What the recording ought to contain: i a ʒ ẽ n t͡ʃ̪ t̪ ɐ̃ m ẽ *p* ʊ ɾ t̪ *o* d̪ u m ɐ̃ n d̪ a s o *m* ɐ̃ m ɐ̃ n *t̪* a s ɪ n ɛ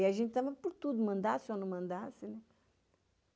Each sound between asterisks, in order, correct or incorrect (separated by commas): correct, incorrect, incorrect, incorrect